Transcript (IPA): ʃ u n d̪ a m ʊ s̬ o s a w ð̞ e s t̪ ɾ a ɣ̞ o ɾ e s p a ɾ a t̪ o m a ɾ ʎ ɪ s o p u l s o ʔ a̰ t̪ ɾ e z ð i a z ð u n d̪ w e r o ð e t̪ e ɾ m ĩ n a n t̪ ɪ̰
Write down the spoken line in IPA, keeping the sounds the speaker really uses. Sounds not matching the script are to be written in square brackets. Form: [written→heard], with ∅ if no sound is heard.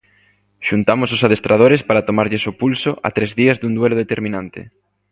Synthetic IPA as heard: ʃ u n [d̪→t̪] a m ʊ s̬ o s a [w→∅] ð̞ e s t̪ ɾ a [ɣ̞→ð̞] o ɾ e s p a ɾ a t̪ o m a ɾ ʎ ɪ s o p u l s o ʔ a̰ t̪ ɾ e z ð i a z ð u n d̪ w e [r→l] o ð e t̪ e ɾ m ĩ n a n t̪ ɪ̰